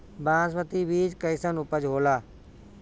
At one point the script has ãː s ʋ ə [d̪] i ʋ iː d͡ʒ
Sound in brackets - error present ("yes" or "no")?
yes